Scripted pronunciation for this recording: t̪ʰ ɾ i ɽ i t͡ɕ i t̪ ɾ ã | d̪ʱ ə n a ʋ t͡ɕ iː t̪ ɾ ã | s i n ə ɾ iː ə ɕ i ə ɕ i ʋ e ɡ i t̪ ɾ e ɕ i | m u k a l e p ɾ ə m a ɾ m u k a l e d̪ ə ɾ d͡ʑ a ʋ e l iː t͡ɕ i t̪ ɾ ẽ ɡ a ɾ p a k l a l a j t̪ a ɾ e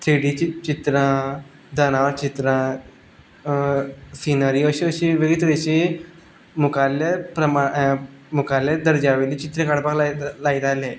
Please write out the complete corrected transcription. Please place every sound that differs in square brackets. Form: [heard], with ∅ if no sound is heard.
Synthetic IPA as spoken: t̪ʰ ɾ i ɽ i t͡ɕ i t̪ ɾ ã | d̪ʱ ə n a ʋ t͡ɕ [i] t̪ ɾ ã | s i n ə ɾ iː ə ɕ i ə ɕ i ʋ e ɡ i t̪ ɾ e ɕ i | m u k a l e p ɾ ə m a [∅] m u k a l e d̪ ə ɾ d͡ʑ a ʋ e l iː t͡ɕ i t̪ ɾ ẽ [k] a [ɽ] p a k l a l a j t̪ a [l] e